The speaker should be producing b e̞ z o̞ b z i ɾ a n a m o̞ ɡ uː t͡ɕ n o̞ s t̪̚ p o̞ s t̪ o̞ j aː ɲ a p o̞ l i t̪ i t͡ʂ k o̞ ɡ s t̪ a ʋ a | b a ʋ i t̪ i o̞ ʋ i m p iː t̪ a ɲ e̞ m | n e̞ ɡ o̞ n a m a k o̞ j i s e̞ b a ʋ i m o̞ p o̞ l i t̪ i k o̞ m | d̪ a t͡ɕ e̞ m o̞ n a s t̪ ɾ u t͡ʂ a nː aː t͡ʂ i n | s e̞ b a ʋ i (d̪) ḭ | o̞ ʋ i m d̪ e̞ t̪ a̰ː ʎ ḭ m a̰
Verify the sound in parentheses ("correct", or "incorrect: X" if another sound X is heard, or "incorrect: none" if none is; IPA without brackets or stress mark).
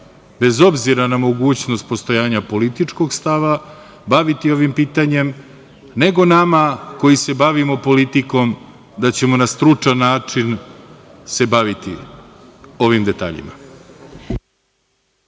incorrect: t̪